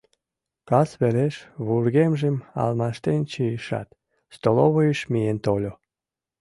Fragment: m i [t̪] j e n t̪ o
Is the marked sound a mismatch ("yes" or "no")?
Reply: yes